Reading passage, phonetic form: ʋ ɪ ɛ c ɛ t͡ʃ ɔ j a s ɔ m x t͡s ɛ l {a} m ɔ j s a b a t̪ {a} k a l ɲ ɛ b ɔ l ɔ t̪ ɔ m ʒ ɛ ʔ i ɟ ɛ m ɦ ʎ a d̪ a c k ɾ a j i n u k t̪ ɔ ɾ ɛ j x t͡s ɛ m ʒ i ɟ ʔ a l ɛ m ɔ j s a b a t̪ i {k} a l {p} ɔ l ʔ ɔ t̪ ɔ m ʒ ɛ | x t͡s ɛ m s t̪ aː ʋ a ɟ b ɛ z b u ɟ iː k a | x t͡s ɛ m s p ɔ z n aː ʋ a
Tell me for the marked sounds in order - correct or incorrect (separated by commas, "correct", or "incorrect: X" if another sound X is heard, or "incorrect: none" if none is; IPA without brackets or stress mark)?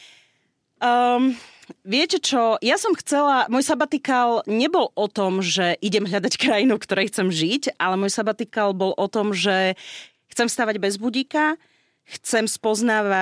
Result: correct, incorrect: i, correct, incorrect: b